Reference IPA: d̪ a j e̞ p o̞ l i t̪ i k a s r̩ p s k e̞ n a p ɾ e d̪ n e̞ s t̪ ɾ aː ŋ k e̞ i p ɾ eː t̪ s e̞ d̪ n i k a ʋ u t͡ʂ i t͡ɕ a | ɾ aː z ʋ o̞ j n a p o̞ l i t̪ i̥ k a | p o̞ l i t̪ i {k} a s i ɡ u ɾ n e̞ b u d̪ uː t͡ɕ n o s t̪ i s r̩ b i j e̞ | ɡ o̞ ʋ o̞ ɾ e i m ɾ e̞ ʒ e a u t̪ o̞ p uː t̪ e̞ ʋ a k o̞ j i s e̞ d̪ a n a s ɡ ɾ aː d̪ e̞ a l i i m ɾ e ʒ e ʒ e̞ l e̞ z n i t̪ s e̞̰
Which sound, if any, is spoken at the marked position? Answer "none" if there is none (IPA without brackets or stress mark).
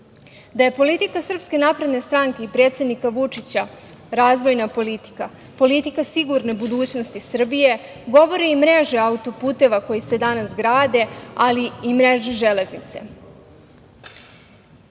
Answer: k